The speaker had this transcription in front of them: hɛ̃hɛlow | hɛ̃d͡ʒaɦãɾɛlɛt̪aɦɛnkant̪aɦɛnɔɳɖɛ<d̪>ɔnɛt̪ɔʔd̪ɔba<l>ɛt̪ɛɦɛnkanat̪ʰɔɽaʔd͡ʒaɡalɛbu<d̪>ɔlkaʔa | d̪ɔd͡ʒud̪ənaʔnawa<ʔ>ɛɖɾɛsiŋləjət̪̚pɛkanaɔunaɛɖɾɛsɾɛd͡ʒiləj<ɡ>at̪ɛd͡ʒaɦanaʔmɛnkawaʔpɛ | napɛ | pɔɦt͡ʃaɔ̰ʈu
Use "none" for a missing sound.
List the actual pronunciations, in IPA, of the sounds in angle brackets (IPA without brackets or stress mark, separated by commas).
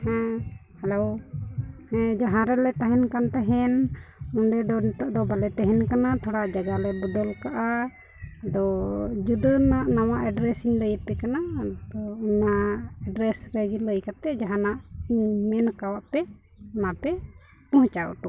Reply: d̪, l, d̪, ʔ, k